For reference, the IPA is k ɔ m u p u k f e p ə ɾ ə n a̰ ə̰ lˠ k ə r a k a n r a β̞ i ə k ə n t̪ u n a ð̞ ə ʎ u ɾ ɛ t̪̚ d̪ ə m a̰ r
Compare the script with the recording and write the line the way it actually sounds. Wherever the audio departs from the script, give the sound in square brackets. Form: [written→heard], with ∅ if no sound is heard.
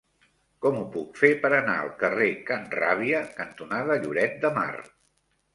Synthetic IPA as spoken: k ɔ m u p u k f e p ə ɾ ə n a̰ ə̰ lˠ k ə r [a→e] k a n r a β̞ i ə k ə n t̪ u n a ð̞ ə ʎ u ɾ ɛ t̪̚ d̪ ə m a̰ r